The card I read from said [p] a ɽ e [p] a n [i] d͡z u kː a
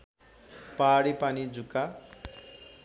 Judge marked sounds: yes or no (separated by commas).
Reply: yes, yes, yes